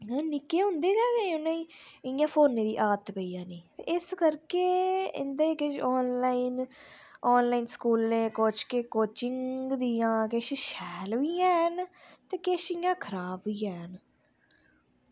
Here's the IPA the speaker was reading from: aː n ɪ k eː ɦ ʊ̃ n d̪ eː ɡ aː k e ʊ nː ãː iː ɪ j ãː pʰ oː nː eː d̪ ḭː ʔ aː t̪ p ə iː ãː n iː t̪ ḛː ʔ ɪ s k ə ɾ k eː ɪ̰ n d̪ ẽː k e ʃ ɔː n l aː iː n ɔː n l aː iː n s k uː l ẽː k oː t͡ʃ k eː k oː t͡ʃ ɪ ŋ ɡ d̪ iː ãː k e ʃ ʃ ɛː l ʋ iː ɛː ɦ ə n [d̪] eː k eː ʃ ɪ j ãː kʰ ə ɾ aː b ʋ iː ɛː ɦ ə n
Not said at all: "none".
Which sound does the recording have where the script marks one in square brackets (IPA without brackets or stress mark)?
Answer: t̪